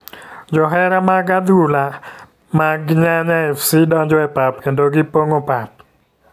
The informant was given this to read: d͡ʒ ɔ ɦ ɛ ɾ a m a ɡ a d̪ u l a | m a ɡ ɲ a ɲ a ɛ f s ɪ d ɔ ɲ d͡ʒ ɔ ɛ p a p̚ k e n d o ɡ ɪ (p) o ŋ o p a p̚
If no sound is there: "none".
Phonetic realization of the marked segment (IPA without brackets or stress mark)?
p